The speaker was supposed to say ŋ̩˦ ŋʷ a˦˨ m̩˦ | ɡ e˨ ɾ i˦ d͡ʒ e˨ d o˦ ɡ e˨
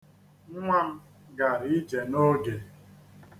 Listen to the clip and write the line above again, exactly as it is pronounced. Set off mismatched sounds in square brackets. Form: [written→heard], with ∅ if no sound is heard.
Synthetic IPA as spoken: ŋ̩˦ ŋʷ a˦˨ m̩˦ | ɡ [e˨→a˨] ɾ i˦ d͡ʒ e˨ [d→n] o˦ ɡ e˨